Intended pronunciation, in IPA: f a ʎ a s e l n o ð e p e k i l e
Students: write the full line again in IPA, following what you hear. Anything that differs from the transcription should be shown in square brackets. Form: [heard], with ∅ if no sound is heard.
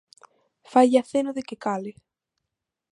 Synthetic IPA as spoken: f a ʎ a [θ] e [∅] n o ð e [k] e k [a] l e